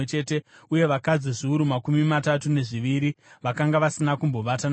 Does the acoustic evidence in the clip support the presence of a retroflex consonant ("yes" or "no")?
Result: yes